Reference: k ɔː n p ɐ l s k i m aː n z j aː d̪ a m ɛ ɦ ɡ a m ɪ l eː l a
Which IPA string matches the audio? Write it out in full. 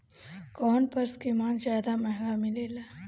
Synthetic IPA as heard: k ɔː n p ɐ ɾ s k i m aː n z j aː d̪ a m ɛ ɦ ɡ a m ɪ l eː l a